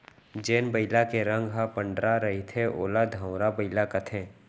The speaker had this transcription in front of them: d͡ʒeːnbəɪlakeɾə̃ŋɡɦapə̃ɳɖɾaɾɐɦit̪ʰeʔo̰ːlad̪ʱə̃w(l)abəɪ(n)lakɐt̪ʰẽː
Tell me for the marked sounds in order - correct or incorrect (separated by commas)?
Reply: incorrect, incorrect